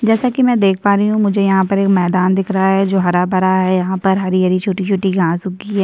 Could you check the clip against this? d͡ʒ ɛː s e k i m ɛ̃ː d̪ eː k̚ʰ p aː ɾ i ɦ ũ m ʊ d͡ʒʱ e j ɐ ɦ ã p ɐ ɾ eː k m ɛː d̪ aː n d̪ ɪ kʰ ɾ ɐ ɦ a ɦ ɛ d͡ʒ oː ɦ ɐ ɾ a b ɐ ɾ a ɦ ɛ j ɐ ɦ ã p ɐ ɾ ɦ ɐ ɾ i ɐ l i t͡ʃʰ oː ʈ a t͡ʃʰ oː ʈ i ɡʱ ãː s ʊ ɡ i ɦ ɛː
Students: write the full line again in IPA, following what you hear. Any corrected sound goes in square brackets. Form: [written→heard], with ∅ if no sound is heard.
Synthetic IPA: d͡ʒ ɛː s [e→a] k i m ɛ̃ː d̪ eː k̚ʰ p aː ɾ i ɦ ũ m ʊ d͡ʒʱ e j ɐ ɦ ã p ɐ ɾ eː k m ɛː d̪ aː n d̪ ɪ kʰ ɾ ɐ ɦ a ɦ ɛ d͡ʒ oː ɦ ɐ ɾ a b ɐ ɾ a ɦ ɛ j ɐ ɦ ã p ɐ ɾ ɦ ɐ ɾ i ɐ [l→ɾ] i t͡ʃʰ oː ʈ [a→i] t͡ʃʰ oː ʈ i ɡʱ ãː s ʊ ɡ i ɦ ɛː